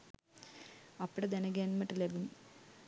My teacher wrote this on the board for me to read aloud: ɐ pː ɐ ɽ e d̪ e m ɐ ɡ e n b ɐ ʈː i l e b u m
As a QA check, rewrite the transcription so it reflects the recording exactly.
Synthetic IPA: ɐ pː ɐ ɽ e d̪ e n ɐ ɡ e n m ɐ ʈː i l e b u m